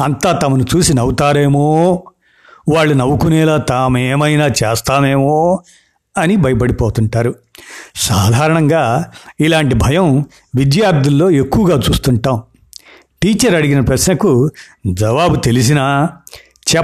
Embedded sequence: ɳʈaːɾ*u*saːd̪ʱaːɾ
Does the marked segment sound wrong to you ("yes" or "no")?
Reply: no